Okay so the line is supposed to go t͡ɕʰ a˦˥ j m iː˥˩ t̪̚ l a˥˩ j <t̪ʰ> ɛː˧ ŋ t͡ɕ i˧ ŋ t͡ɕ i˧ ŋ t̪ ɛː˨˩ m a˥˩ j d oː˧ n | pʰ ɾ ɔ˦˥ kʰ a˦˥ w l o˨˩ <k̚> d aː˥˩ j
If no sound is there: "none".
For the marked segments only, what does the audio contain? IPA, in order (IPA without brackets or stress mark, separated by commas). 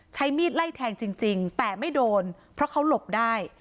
t̪ʰ, p̚